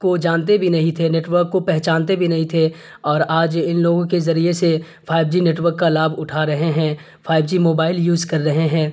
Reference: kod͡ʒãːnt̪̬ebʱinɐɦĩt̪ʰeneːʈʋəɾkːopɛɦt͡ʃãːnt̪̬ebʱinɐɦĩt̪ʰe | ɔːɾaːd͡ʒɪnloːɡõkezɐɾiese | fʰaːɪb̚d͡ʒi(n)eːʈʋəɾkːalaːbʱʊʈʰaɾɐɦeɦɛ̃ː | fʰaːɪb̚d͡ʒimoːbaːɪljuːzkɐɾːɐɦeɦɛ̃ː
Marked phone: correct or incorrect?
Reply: correct